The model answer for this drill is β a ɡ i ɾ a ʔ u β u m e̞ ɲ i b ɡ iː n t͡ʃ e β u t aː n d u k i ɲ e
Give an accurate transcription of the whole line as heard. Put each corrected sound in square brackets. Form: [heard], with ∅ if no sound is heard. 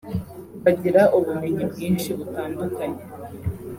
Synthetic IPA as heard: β a [ɟ] i ɾ a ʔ u β u m e̞ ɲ i b ɡ iː n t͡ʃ [i] β u t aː n d u k [a] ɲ e